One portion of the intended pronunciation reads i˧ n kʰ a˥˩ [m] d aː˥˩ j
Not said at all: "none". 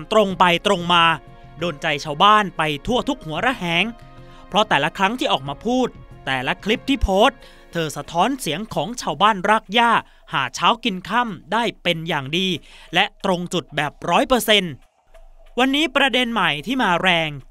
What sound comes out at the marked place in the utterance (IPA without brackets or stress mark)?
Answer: m